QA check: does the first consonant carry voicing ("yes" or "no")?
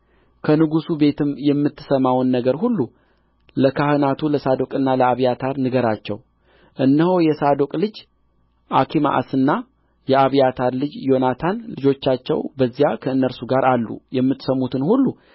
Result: no